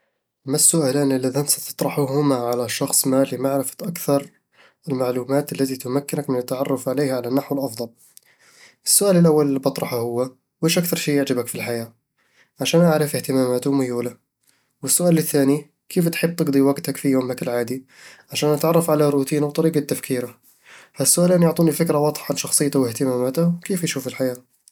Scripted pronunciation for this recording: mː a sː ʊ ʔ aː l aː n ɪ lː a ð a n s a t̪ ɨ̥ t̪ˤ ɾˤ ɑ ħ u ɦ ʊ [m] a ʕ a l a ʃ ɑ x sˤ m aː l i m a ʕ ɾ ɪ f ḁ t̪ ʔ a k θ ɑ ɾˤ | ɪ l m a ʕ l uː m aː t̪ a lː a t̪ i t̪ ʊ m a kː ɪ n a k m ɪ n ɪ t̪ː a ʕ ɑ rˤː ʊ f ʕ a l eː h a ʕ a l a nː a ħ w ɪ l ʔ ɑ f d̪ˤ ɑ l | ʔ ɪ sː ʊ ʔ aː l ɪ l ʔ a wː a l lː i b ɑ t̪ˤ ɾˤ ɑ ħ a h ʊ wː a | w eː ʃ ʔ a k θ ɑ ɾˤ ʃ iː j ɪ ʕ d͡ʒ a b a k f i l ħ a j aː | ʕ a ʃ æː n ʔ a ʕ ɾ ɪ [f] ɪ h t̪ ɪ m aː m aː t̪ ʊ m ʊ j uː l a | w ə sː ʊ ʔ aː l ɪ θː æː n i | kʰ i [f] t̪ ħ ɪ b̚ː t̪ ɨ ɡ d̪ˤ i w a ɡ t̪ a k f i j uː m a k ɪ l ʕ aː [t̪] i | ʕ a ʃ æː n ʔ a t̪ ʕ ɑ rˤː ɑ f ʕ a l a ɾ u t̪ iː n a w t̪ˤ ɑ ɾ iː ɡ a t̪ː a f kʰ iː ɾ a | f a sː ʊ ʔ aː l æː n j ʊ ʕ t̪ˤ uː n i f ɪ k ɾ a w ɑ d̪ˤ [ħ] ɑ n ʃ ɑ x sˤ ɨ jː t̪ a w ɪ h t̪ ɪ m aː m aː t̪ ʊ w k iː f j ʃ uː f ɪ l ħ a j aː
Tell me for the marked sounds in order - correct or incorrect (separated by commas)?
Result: correct, correct, correct, incorrect, correct